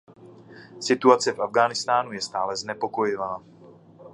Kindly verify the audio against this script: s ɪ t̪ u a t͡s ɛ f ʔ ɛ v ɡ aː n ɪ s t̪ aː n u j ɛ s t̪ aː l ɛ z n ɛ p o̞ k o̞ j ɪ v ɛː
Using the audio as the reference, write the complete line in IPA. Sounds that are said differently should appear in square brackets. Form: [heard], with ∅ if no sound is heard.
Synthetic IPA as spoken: s ɪ t̪ u a t͡s ɛ f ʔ [a] v ɡ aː n ɪ s t̪ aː n u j ɛ s t̪ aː l ɛ z n ɛ p o̞ k o̞ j ɪ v [aː]